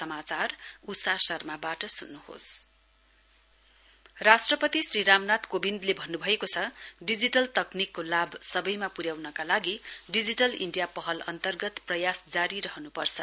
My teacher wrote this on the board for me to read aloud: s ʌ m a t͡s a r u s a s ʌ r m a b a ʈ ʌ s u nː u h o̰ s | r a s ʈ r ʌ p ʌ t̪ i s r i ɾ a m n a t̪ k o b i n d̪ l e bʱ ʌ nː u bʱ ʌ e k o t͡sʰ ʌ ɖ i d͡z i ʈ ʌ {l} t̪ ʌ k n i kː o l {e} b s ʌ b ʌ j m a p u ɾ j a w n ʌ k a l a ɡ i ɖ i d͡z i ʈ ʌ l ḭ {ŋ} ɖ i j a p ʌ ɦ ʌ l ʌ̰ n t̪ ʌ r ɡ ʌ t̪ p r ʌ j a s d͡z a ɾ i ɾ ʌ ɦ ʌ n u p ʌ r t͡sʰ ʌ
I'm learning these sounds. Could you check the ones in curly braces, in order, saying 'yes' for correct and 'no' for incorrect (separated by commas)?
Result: yes, no, no